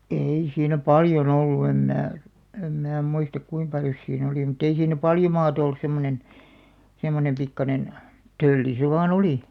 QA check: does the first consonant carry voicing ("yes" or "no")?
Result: no